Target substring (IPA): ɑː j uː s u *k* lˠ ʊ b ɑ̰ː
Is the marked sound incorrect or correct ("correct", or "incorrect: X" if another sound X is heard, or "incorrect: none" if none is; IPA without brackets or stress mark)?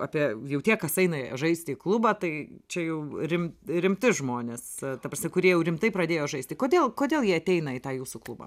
correct